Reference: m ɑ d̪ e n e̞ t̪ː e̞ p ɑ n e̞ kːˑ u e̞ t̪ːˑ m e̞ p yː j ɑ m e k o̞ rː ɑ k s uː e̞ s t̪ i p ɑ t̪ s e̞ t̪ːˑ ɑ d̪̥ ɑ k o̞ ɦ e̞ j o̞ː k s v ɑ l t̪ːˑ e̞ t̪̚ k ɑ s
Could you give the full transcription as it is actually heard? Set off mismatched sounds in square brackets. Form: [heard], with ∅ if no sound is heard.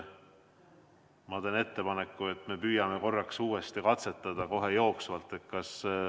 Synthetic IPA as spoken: m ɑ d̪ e n e̞ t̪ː e̞ p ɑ n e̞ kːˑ u e̞ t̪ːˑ m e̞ p yː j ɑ m e k o̞ rː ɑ k s uː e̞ s t̪ i [k] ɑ t̪ s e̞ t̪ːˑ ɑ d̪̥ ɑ k o̞ ɦ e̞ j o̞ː k s v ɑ l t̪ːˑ e̞ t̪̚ k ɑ s